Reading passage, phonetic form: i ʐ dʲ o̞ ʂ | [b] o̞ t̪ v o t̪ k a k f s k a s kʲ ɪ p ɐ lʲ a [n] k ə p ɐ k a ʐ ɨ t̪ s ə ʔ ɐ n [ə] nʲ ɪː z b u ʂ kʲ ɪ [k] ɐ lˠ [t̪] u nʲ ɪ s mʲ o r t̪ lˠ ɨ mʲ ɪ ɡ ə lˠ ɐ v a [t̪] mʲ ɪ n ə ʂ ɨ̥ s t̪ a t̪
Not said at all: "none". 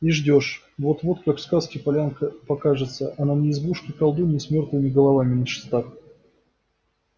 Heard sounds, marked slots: v, n, a, k, d̪, none

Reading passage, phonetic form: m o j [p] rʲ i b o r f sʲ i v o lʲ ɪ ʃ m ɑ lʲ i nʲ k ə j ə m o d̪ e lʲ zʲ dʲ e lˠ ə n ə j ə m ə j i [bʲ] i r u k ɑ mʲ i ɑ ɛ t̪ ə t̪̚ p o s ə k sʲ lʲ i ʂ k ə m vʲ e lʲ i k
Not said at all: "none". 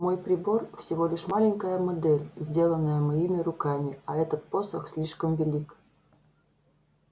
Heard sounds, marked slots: p, mʲ

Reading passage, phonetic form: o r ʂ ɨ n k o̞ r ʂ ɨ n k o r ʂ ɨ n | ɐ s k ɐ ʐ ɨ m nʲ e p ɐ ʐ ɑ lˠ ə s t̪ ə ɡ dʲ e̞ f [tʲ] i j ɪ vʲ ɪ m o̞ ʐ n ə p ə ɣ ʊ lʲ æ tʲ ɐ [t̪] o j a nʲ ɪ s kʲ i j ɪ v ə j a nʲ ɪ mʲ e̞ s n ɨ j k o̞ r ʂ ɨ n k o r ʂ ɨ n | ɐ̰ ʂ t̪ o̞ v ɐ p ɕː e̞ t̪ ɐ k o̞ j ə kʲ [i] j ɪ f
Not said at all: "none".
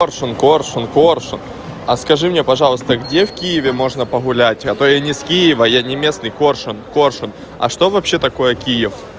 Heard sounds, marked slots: kʲ, t̪, i

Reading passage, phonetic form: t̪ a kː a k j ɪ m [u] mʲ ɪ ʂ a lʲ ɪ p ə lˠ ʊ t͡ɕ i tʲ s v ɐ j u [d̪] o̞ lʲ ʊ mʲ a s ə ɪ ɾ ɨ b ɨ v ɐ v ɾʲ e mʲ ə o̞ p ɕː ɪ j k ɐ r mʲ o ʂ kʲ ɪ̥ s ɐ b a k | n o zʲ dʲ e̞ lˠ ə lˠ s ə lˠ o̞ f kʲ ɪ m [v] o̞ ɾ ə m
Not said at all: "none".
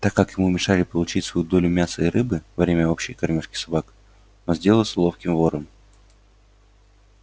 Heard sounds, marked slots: u, d̪, v

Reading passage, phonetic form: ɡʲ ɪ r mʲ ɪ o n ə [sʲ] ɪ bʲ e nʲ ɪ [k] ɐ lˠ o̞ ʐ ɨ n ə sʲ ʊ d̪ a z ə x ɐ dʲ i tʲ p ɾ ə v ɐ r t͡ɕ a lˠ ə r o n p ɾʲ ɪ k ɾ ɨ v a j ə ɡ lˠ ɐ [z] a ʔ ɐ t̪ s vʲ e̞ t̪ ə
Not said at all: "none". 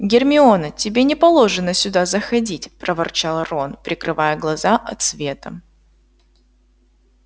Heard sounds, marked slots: tʲ, p, z

